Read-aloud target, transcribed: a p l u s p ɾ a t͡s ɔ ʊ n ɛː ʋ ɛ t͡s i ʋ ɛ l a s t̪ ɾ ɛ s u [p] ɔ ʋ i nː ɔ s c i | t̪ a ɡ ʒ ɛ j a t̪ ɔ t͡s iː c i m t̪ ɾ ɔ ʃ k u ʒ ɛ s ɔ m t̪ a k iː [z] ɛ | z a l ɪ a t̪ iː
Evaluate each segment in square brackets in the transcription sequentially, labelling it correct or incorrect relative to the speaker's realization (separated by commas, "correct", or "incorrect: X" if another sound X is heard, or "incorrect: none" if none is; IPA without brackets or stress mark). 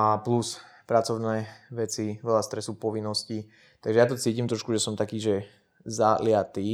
correct, incorrect: ʒ